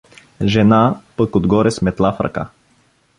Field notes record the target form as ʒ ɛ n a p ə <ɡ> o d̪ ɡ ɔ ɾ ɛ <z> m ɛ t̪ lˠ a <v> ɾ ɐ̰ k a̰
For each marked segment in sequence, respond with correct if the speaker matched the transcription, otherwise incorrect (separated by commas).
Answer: incorrect, incorrect, incorrect